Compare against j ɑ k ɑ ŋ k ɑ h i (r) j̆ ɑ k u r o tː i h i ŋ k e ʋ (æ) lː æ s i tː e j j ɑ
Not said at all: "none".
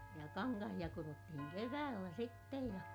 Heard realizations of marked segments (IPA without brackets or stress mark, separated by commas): none, æː